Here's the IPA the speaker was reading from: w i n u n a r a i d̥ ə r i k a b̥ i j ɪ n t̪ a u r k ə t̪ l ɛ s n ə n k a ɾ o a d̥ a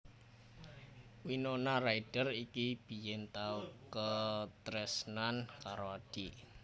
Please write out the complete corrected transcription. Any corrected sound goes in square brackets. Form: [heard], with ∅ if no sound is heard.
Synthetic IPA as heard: w i n [o] n a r a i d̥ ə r i k [i] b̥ i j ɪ n t̪ a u [∅] k ə t̪ [ɾ] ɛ s n [a] n k a ɾ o a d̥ [i]